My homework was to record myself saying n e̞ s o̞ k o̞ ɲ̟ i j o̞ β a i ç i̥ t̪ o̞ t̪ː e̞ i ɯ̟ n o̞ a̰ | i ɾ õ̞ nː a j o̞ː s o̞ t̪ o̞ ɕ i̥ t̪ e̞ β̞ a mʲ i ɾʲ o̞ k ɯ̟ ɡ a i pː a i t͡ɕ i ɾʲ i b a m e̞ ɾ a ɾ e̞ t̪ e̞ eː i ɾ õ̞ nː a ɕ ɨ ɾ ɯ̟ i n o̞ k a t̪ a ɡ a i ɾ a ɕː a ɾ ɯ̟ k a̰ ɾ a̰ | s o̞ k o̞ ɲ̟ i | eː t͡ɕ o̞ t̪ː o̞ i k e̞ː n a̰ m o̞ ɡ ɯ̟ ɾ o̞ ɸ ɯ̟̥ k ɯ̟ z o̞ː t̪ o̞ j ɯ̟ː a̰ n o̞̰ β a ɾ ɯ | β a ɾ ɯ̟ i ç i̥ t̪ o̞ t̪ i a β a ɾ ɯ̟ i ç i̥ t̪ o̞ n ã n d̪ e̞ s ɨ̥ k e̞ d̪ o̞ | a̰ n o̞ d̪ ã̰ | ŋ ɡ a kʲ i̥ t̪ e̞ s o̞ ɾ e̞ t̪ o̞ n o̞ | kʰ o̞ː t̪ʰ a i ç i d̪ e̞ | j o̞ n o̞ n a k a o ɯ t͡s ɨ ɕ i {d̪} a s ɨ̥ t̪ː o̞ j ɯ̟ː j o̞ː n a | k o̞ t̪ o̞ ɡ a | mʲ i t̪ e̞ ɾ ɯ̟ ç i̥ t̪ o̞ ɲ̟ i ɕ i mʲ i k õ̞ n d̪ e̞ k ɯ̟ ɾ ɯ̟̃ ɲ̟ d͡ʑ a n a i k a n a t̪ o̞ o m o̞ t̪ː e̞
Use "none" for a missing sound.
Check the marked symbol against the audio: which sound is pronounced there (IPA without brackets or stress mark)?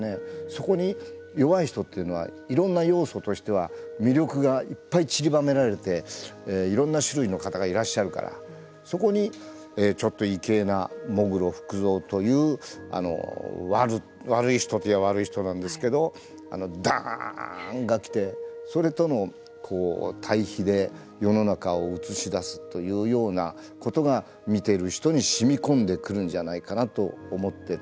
d̪